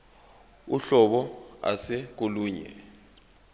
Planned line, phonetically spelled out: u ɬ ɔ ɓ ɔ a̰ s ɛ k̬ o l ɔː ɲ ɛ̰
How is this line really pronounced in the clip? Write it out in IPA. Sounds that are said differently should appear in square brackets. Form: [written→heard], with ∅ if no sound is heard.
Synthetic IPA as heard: u ɬ ɔ ɓ ɔ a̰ s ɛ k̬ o l [ɔː→uː] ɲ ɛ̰